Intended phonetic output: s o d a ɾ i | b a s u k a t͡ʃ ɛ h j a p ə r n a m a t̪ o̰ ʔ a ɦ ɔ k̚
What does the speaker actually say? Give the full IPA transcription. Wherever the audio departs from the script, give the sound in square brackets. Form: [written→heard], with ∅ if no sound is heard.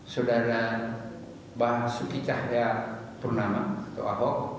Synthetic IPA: s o d a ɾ [i→a] | b a s u k [a→i] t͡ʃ [ɛ→a] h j a p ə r n a m a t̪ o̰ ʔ a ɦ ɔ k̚